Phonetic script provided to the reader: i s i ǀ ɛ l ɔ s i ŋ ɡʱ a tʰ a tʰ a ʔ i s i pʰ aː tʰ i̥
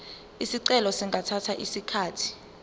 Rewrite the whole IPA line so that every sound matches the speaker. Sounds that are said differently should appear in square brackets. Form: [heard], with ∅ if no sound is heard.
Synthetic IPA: i s i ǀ ɛ l ɔ s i ŋ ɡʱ a tʰ a tʰ a ʔ i s i [kʰ] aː tʰ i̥